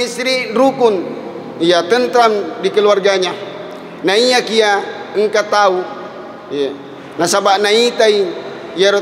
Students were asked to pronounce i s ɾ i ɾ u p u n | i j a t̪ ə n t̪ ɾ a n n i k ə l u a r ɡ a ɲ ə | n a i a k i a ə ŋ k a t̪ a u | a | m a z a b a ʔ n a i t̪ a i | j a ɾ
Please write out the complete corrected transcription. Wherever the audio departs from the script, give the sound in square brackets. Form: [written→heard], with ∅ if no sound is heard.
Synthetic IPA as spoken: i s ɾ i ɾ u [p→k] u n | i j a t̪ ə n t̪ ɾ a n [n→d] i k ə l u a r ɡ a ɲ [ə→a] | n a i a k i a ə ŋ k a t̪ a u | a | [m→n] a [z→s] a b a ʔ n a i t̪ a i | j a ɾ